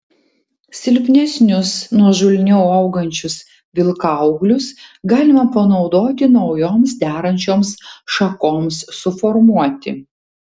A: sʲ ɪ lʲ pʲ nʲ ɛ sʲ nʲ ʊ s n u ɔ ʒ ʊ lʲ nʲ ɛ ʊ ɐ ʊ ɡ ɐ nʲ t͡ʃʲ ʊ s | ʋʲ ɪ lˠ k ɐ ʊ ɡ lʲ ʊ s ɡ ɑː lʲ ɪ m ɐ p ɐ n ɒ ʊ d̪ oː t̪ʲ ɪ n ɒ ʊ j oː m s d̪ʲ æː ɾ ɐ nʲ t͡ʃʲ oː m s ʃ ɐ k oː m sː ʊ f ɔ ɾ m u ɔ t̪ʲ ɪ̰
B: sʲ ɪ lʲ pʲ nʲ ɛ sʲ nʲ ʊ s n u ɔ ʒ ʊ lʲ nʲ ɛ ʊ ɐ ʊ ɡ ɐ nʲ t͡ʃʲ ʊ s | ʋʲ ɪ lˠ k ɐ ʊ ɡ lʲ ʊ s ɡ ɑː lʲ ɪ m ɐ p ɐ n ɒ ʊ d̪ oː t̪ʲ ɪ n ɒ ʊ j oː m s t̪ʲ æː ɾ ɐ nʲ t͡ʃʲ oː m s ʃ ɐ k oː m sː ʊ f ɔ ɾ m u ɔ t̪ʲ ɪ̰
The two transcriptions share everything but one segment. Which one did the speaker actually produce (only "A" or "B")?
A